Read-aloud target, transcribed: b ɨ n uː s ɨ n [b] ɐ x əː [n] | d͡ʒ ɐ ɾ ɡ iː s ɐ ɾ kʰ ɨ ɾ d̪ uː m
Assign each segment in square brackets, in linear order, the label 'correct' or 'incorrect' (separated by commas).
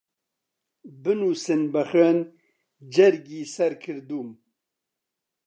correct, correct